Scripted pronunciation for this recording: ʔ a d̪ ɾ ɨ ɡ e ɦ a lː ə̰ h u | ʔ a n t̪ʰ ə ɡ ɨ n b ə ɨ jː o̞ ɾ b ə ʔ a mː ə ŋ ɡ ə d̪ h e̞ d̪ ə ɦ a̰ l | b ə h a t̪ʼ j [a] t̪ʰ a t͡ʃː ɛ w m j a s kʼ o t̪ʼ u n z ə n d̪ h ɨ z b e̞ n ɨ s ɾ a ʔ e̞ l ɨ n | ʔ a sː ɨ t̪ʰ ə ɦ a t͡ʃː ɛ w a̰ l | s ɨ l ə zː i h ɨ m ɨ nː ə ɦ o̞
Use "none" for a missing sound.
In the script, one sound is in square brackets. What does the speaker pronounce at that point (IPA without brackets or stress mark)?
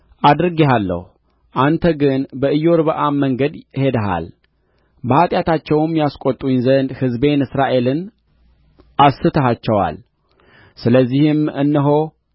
a